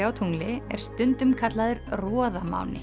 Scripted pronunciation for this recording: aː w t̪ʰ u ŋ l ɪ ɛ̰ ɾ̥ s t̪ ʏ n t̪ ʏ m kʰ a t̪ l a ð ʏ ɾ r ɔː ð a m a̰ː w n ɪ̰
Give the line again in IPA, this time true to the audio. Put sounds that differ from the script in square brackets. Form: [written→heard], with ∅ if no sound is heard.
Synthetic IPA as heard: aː w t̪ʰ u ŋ l ɪ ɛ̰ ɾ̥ s t̪ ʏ n t̪ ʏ m kʰ a t̪ l a ð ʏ ɾ r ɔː ð a m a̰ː w n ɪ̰

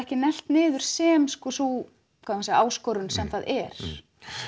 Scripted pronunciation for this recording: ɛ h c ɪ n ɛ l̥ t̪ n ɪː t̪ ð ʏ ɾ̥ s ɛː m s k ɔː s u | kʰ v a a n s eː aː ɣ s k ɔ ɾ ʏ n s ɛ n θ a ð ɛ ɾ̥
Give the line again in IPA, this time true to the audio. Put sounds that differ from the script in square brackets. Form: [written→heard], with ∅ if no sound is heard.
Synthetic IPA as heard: ɛ h c ɪ n ɛ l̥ t̪ n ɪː [t̪→∅] ð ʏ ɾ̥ s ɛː m s k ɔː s u | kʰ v a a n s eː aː [ɣ→w] s k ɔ ɾ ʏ n s ɛ [n→m] θ a ð ɛ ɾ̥

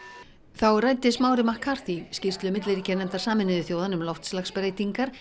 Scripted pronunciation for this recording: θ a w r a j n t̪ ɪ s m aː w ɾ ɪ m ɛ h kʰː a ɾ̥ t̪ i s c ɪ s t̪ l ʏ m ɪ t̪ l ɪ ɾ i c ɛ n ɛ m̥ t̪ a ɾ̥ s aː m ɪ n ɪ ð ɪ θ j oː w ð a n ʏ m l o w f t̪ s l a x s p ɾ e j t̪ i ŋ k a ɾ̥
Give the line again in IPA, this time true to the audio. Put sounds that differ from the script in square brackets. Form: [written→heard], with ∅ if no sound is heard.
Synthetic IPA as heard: θ a w r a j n t̪ ɪ s m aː w ɾ ɪ m [ɛ→a] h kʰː a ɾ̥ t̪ i s c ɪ s t̪ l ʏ m ɪ t̪ l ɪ ɾ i c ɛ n ɛ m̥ t̪ a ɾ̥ s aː m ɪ n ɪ ð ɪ θ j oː w ð a n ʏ m l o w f t̪ s l a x s p ɾ e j t̪ i ŋ k a ɾ̥

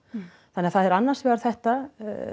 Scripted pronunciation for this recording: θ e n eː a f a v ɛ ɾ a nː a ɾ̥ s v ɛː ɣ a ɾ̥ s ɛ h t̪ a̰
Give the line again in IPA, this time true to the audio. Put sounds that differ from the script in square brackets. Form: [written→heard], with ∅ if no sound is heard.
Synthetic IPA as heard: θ [e→a] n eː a [f→θ] a [v→ð] ɛ ɾ a nː a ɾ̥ s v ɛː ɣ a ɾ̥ [s→θ] ɛ h t̪ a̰

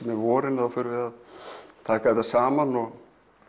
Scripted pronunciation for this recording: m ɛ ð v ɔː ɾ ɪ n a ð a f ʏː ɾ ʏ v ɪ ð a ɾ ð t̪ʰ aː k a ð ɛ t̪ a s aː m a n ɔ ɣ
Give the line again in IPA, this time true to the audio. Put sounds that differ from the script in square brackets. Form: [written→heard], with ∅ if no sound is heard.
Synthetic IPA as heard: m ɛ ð v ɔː ɾ ɪ n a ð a f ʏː ɾ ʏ v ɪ ð a [ɾ→∅] ð t̪ʰ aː k a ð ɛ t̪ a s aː m a n ɔ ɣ

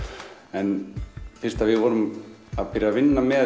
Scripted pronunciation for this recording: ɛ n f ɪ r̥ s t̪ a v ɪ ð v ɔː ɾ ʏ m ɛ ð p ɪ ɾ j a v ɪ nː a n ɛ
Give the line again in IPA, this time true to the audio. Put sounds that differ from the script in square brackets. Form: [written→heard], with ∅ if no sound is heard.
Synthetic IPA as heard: ɛ n f ɪ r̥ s t̪ a v ɪ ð v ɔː ɾ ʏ m [ɛ→a] ð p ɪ ɾ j a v ɪ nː a [n→m] ɛ

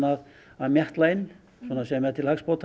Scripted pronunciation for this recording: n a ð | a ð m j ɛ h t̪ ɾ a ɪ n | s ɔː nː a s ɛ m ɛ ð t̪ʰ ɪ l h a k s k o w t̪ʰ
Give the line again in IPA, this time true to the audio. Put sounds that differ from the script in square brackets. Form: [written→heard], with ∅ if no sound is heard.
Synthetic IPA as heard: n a ð | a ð m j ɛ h t̪ [ɾ→l] a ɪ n | s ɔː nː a s ɛ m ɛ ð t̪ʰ ɪ l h a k s [k→p] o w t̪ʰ

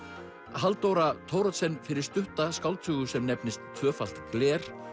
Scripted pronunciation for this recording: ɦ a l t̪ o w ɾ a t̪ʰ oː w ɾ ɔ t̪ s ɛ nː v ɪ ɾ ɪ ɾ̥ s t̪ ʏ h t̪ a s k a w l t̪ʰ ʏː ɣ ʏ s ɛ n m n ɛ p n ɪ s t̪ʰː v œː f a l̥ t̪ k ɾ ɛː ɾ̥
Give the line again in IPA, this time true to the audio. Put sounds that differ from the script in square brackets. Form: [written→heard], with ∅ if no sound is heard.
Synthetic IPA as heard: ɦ a l t̪ o w ɾ a t̪ʰ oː w ɾ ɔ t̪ s ɛ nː [v→f] ɪ ɾ ɪ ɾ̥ s t̪ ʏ h t̪ a s k a w l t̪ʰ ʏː ɣ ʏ s ɛ [n→∅] m n ɛ p n ɪ s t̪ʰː v œː f a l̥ t̪ k [ɾ→l] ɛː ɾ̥

